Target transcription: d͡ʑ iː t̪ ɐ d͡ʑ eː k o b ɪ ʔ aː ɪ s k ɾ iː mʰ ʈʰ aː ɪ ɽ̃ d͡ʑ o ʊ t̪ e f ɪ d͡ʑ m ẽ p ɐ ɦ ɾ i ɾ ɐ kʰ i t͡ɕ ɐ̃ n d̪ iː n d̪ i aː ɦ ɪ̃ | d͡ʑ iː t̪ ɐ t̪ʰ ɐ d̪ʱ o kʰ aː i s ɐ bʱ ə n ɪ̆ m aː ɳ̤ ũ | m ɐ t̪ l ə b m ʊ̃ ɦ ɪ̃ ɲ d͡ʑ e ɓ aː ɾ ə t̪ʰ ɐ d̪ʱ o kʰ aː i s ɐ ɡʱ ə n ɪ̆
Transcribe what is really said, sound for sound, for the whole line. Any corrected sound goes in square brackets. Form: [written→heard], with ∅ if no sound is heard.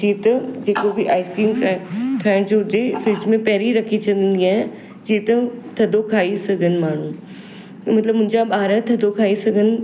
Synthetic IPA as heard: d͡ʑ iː t̪ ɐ d͡ʑ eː k o b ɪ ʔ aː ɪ s k ɾ iː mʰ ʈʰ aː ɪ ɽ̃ d͡ʑ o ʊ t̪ e f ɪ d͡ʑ m ẽ p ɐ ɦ ɾ i ɾ ɐ kʰ i t͡ɕ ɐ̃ n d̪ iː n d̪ i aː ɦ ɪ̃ | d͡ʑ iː t̪ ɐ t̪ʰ ɐ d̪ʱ o kʰ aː i s ɐ [bʱ→ɡʱ] ə n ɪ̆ m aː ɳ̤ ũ | m ɐ t̪ l ə b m ʊ̃ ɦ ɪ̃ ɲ d͡ʑ [e→a] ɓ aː ɾ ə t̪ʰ ɐ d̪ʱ o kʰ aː i s ɐ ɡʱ ə n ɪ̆